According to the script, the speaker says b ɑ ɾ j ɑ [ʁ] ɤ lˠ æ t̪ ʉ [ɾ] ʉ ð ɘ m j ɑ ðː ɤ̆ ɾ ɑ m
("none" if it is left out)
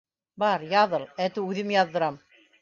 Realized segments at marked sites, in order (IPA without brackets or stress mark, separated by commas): ð, none